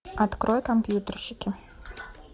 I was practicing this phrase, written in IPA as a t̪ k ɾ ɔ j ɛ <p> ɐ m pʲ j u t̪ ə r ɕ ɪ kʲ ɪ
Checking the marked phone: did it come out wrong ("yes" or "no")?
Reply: yes